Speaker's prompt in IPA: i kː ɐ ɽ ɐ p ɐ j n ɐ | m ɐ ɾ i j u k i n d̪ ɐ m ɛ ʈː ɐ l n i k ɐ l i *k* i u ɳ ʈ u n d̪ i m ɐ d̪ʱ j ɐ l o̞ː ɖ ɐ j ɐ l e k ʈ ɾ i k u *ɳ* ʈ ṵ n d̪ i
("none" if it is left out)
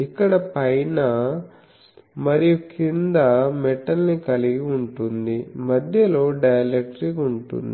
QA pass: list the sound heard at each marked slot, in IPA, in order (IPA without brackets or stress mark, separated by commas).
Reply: ɡ, ɳ